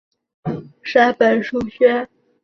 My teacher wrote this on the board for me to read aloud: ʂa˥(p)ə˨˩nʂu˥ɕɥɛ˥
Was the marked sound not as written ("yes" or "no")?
no